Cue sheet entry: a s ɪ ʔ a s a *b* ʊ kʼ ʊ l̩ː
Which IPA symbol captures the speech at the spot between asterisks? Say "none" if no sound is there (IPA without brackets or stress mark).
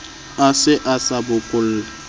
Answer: b